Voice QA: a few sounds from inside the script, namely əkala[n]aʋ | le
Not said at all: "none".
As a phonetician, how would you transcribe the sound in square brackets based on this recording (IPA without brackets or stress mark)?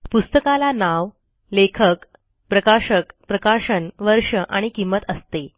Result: n